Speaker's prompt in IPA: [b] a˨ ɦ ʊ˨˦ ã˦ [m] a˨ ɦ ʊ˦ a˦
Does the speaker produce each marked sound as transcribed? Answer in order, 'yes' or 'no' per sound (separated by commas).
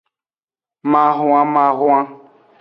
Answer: no, yes